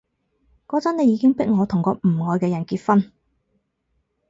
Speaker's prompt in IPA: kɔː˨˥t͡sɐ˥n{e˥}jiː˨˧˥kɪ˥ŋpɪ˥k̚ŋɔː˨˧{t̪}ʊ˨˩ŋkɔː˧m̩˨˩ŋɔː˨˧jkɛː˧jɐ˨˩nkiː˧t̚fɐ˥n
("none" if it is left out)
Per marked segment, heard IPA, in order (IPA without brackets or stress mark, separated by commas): e˨˧, t̪ʰ